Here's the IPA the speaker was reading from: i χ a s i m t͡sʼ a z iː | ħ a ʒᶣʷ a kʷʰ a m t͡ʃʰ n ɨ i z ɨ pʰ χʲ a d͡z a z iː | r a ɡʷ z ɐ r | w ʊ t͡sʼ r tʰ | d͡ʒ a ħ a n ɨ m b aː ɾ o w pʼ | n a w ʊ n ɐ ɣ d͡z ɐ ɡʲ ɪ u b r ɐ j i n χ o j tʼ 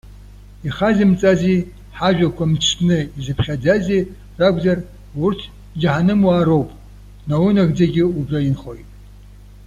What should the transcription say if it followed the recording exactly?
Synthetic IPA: i χ a z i m t͡sʼ a z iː | ħ a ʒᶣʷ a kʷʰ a m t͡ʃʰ n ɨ i z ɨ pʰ χʲ a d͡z a z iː | r a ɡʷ z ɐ r | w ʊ r tʰ | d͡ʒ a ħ a n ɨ m w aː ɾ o w pʼ | n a w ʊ n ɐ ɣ d͡z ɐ ɡʲ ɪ u b r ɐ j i n χ o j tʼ